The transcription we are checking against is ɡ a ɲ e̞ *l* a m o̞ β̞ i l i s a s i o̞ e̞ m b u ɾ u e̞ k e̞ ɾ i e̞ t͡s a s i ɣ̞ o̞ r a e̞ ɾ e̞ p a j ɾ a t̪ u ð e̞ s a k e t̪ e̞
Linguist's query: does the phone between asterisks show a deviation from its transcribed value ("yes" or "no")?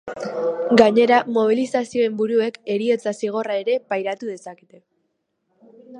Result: yes